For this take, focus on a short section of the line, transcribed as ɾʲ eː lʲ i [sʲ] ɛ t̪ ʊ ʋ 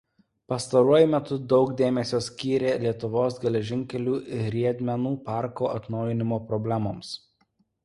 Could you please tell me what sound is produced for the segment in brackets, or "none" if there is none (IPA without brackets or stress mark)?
none